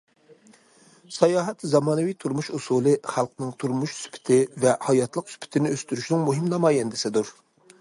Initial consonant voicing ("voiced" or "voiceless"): voiceless